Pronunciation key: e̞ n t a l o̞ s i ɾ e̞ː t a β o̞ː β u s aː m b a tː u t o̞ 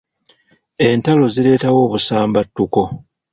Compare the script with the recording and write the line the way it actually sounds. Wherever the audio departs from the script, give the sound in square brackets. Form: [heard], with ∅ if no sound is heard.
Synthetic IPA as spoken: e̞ n t a l o̞ [z] i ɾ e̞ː t a [w] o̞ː β u s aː m b a tː u [k] o̞